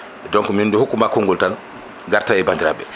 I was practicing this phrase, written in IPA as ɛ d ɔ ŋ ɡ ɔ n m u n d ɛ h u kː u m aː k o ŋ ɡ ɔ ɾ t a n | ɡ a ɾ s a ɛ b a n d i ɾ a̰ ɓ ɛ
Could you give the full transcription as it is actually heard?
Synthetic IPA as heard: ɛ d ɔ ŋ k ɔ m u n d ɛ h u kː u m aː k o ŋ ɡ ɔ l t a n | ɡ a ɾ t a ɛ b a n d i ɾ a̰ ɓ ɛ